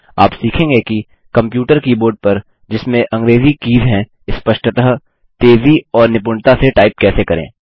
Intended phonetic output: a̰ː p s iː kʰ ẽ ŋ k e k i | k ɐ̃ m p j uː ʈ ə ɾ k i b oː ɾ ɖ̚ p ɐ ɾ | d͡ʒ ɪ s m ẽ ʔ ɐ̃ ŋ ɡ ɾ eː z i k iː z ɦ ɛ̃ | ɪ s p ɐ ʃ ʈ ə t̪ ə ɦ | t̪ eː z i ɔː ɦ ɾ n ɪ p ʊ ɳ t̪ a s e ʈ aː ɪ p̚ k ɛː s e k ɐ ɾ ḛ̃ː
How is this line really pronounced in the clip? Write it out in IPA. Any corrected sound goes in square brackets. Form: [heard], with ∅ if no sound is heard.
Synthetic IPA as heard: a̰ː p s iː kʰ ẽ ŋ [ɡ] e k i | k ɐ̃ m p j uː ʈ ə ɾ k i b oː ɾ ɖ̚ p ɐ ɾ | d͡ʒ ɪ s m ẽ ʔ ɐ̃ ŋ ɡ ɾ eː z i k iː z ɦ ɛ̃ | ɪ s p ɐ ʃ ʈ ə t̪ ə ɦ | t̪ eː z i ɔː [∅] ɾ n ɪ p ʊ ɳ t̪ a s e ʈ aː ɪ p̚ k ɛː s e k ɐ ɾ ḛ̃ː

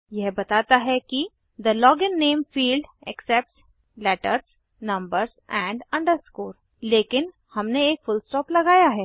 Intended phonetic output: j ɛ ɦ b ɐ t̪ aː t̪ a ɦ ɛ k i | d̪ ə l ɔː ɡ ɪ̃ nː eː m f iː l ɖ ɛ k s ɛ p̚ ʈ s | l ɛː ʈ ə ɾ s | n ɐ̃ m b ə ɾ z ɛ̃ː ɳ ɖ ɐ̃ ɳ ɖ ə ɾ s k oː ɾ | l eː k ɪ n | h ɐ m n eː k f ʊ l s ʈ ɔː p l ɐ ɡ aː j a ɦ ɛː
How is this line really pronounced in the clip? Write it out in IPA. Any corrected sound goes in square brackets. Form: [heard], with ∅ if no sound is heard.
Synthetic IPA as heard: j ɛ ɦ b ɐ t̪ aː t̪ a ɦ ɛ k i | d̪ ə l ɔː ɡ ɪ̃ nː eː m f iː l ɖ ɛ k s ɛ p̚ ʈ s | l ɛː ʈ ə ɾ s | n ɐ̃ m b ə ɾ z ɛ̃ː ɳ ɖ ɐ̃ ɳ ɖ ə ɾ s k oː ɾ | l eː k ɪ n | h ɐ m n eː k f ʊ l s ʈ ɔː p l ɐ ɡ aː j a ɦ ɛː

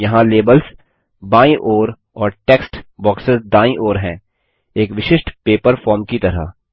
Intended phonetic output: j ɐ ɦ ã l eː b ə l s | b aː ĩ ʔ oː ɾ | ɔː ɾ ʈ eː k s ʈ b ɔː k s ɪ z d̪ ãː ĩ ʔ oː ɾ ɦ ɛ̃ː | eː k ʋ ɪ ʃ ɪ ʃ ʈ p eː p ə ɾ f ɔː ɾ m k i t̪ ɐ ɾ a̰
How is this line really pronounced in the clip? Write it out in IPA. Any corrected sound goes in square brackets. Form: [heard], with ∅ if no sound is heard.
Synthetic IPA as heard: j ɐ ɦ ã l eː b ə l s | b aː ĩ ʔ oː ɾ | ɔː ɾ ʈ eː k s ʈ b ɔː k s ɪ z d̪ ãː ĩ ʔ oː ɾ ɦ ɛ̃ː | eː k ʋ ɪ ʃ ɪ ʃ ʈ p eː p ə ɾ f ɔː ɾ m k i t̪ ɐ ɾ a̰

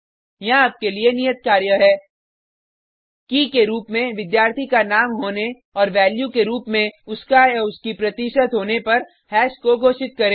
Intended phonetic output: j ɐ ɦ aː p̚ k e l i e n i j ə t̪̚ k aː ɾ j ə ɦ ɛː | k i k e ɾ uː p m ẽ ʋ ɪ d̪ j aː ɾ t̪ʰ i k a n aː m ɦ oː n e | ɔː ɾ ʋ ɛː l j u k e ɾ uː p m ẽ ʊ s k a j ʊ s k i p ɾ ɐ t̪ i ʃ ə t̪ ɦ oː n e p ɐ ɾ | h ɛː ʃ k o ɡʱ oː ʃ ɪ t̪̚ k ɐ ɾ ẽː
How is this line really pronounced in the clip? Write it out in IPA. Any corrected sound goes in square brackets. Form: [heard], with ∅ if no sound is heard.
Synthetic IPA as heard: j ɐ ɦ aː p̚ k e l i e n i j ə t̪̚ k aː ɾ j ə ɦ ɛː | k i k e ɾ uː p m ẽ ʋ ɪ d̪ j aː ɾ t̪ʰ i k a n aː m ɦ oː n e | ɔː ɾ ʋ ɛː l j u k e ɾ uː p m ẽ ʊ s k a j ʊ s k i p ɾ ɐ t̪ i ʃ ə t̪ ɦ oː n e p ɐ ɾ | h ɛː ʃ k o ɡʱ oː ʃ ɪ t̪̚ k ɐ ɾ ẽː

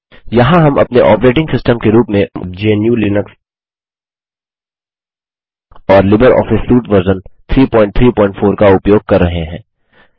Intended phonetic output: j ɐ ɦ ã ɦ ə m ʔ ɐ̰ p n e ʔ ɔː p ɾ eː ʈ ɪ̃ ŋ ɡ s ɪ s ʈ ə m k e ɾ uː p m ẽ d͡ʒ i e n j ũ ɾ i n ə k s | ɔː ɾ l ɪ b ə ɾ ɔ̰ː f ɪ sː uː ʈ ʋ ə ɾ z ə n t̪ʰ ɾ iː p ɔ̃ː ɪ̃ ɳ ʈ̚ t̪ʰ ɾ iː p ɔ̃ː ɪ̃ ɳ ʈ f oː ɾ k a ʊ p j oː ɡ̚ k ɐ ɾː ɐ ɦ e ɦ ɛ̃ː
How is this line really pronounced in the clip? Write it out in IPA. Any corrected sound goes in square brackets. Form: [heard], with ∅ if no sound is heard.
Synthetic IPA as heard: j ɐ ɦ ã ɦ [ɐ] m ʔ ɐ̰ p n e ʔ ɔː p ɾ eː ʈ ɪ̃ ŋ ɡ s ɪ s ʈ ə m k e ɾ uː p m ẽ d͡ʒ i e n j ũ [l] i n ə k s | ɔː ɾ l ɪ b ə ɾ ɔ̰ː f ɪ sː uː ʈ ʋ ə ɾ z ə n t̪ʰ ɾ iː p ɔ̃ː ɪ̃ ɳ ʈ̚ t̪ʰ ɾ iː p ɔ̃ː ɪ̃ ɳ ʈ f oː ɾ k a ʊ p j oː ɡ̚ k ɐ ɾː ɐ ɦ e ɦ ɛ̃ː

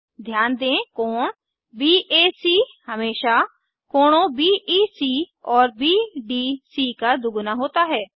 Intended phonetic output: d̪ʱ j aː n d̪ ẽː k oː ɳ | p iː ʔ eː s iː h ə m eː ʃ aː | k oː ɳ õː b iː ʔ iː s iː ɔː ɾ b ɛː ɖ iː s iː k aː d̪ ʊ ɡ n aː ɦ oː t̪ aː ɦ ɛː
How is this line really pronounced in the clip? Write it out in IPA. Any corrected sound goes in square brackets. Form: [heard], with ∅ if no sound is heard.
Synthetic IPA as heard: d̪ʱ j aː n d̪ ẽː k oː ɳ | [b] iː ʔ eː s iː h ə m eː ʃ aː | k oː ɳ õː b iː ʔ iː s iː ɔː ɾ b [iː] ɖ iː s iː k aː d̪ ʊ ɡ n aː ɦ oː t̪ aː ɦ ɛː

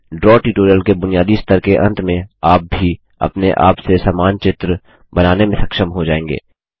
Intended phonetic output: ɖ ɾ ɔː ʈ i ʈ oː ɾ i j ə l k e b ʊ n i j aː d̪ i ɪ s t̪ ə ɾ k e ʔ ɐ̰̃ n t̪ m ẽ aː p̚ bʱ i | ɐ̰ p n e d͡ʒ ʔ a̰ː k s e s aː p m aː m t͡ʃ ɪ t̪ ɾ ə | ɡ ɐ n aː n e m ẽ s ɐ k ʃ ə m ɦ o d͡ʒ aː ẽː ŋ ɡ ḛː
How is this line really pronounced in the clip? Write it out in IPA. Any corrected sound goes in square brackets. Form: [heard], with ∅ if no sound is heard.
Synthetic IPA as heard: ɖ ɾ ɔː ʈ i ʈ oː ɾ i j ə l k e b ʊ n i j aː d̪ i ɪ s t̪ ə ɾ k e ʔ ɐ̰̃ n t̪ m ẽ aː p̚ bʱ i | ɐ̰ p n e [∅] ʔ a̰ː [p] s e s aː [∅] m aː [n] t͡ʃ ɪ t̪ ɾ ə | [b] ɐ n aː n e m ẽ s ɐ k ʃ ə m ɦ o d͡ʒ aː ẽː ŋ ɡ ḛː

